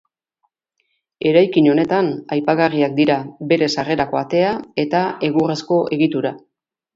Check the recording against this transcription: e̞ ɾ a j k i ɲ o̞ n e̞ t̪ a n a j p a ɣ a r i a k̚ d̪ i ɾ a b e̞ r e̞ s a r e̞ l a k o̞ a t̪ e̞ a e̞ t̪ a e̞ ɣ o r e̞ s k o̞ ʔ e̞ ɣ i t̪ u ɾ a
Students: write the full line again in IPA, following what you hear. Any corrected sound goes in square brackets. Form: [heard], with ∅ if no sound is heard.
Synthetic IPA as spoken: e̞ ɾ a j k i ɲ o̞ n e̞ t̪ a n a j p a ɣ a r i a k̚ d̪ i ɾ a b e̞ [ɾ] e̞ s a r e̞ [ɾ] a k o̞ a t̪ e̞ a e̞ t̪ a e̞ ɣ [u] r e̞ s k o̞ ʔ e̞ ɣ i t̪ u ɾ a